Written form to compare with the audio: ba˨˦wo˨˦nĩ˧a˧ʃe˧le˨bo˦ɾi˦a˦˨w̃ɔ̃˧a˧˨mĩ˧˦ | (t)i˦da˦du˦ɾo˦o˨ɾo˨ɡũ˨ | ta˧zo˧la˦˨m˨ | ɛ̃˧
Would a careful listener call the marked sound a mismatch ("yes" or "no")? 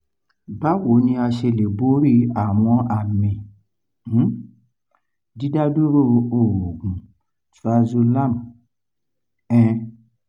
yes